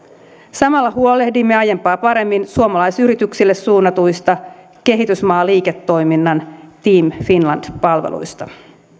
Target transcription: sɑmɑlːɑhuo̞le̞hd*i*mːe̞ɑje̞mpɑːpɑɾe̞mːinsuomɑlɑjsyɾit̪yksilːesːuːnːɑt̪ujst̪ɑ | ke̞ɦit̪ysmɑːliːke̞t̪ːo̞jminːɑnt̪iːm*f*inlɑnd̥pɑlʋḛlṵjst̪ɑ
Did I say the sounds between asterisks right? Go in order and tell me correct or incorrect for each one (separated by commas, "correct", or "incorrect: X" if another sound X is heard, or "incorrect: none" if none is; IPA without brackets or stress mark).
correct, correct